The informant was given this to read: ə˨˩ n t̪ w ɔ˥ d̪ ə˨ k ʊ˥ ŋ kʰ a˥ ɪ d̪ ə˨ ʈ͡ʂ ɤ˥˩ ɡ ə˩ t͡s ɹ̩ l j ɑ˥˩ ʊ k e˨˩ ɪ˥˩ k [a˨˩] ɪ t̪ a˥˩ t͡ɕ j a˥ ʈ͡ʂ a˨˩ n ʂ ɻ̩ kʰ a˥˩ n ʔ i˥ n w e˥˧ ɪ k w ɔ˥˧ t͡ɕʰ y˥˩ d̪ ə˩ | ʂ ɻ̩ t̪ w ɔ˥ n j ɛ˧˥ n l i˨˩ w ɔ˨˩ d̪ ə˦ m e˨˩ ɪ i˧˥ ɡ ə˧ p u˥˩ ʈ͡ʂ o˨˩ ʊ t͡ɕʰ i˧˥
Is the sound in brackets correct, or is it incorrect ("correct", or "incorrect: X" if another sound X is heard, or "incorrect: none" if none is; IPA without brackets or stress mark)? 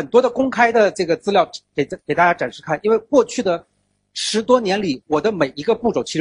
incorrect: e˨˩